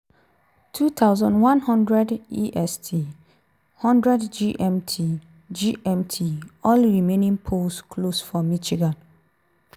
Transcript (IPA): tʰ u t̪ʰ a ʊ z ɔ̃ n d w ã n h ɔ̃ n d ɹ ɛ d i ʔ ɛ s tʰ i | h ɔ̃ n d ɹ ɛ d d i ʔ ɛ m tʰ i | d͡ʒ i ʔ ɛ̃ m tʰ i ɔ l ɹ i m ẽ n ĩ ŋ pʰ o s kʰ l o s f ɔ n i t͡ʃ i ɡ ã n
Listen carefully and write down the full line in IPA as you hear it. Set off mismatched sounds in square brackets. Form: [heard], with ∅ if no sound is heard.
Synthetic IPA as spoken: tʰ u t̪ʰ a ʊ z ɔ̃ n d w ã n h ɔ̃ n d ɹ ɛ d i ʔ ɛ s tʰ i | h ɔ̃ n d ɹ ɛ d [d͡ʒ] i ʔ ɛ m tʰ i | d͡ʒ i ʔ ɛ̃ m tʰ i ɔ l ɹ i m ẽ n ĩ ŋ pʰ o s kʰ l o s f ɔ [m] i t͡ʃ i ɡ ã n